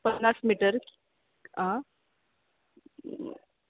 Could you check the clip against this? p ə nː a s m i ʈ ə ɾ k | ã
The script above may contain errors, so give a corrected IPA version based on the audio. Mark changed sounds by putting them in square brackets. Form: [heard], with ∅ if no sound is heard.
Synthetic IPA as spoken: p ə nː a s m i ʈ ə ɾ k | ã